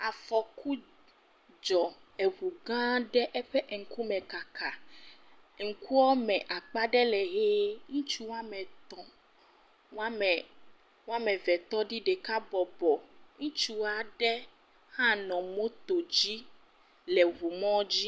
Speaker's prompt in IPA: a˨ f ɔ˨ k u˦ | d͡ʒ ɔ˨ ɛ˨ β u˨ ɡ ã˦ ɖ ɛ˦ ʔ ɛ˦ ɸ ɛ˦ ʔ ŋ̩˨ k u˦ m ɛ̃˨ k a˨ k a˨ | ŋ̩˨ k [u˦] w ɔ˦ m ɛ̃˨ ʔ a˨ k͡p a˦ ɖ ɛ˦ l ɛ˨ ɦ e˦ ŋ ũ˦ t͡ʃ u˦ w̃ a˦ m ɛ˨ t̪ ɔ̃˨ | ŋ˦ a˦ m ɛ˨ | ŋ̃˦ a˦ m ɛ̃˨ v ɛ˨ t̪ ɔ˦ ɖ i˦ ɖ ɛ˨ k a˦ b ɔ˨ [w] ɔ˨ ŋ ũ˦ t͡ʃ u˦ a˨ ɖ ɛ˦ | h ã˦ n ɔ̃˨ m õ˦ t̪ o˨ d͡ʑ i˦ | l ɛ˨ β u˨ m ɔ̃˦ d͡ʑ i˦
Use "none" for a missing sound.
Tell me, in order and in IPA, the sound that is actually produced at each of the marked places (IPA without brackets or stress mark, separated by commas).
u˦, b